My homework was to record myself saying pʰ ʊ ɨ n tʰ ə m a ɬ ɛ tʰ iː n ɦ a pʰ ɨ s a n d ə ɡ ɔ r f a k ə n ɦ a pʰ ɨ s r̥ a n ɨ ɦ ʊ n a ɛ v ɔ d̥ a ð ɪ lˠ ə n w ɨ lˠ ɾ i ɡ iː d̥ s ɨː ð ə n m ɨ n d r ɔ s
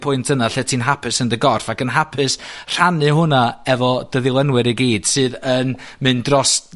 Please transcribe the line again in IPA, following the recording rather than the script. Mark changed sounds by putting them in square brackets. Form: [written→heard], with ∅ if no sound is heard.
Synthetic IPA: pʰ ʊ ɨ n tʰ ə [m→n] a ɬ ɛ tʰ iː n ɦ a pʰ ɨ s [a→ə] n d ə ɡ ɔ r f a k ə n ɦ a pʰ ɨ s r̥ a n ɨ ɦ ʊ n a ɛ v ɔ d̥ [a→ə] ð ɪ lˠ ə n w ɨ [lˠ→∅] ɾ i ɡ iː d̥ s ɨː ð ə n m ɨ n d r ɔ s